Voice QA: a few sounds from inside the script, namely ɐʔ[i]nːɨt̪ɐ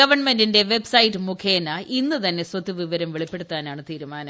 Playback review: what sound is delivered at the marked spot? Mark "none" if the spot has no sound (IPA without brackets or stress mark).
i